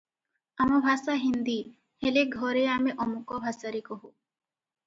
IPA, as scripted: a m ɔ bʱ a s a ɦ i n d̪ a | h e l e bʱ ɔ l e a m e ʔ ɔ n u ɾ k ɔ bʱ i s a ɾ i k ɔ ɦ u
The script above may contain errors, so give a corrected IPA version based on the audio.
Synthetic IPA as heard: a m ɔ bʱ a s a ɦ i n d̪ i | h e l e ɡʱ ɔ ɾ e a m e ʔ ɔ m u k ɔ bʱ a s a ɾ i k ɔ ɦ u